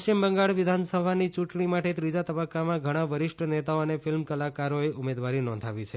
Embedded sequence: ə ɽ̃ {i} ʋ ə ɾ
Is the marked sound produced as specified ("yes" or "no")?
no